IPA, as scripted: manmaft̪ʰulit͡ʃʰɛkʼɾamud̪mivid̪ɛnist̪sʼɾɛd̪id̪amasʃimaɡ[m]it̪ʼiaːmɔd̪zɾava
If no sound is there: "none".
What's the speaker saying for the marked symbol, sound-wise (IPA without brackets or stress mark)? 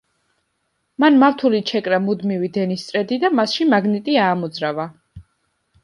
n